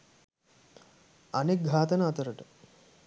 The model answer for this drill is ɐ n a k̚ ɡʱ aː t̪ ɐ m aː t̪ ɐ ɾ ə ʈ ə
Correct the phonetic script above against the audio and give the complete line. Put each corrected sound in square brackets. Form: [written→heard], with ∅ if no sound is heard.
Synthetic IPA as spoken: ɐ n [a→e] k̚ ɡʱ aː t̪ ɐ [m→n] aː t̪ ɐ ɾ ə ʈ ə